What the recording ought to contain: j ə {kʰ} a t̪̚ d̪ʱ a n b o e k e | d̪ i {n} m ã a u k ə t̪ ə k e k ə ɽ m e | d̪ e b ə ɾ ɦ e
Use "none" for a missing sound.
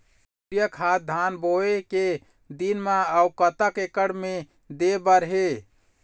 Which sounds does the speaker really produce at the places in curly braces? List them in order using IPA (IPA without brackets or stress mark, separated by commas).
kʰ, n